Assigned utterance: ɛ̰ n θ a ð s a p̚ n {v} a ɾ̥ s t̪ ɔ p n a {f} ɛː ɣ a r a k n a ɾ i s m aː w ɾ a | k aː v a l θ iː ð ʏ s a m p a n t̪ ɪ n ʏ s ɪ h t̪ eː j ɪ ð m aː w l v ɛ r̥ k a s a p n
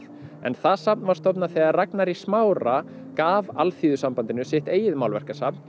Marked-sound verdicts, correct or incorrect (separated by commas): correct, incorrect